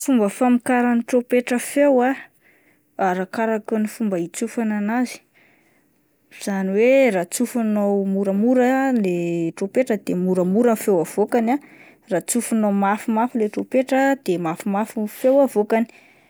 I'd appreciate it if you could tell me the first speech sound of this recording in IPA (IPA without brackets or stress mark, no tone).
f